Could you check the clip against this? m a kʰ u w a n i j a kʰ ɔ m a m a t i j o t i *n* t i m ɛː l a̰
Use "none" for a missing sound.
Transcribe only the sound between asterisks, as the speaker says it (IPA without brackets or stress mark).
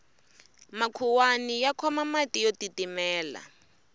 none